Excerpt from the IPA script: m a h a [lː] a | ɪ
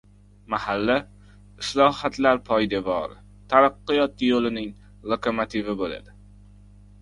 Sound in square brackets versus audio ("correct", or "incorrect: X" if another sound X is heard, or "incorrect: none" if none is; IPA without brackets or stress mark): correct